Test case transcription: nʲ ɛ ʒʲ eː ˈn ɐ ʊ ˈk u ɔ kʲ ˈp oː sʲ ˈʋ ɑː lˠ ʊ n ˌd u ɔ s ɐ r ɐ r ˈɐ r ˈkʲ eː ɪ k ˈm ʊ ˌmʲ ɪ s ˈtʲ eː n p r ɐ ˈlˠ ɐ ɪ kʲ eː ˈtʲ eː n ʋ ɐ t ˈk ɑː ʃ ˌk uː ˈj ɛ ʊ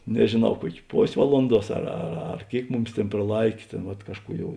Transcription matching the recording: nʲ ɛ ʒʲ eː ˈn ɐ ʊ ˈk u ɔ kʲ ˈp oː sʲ ˈʋ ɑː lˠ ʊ n ˌd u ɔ s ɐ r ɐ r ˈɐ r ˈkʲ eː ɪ k ˈm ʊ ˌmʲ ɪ s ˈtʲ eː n p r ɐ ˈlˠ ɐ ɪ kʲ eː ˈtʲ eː n ʋ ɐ t ˈk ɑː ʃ ˌk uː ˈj ɛ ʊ